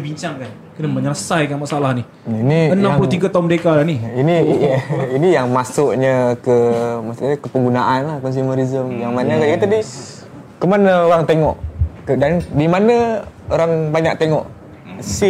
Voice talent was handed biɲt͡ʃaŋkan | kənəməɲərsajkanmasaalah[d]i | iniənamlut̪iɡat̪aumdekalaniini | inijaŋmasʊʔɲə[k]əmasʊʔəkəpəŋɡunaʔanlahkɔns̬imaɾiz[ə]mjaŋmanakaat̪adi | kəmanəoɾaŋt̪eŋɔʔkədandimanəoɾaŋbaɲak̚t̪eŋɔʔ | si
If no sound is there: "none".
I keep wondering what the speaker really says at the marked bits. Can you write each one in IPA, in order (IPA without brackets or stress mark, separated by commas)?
n, k, ə